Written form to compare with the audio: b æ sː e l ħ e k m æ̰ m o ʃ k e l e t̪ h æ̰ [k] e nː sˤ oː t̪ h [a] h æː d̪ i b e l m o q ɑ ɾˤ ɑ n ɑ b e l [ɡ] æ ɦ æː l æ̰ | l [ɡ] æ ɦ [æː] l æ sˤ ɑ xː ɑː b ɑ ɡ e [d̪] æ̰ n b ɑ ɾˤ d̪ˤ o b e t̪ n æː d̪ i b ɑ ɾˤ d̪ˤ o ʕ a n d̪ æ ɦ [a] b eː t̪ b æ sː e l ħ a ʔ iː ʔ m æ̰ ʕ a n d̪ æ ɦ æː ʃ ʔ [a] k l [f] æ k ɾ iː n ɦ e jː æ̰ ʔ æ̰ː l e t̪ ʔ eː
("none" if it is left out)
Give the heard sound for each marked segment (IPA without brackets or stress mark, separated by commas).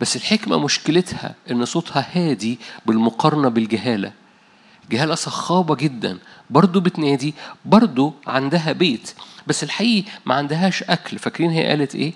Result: ʔ, ɑ, ɡ, ɡ, æː, d̪ː, æ, æ, f